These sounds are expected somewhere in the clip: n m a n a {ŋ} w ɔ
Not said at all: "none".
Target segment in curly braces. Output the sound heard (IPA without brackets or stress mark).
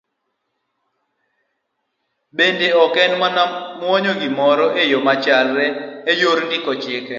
m